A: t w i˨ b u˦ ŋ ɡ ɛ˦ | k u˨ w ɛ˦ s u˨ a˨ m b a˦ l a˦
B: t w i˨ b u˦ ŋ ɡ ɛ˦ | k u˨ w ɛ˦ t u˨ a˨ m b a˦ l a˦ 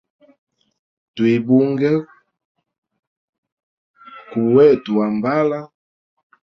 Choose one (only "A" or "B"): B